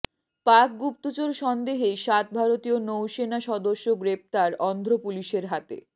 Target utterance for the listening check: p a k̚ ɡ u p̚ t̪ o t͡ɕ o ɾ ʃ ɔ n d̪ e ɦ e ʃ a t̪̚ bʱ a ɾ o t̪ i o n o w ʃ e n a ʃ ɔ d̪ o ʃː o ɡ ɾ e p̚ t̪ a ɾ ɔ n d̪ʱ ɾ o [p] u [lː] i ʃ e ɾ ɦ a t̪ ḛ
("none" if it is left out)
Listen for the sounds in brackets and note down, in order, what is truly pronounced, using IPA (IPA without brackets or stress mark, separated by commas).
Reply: p, l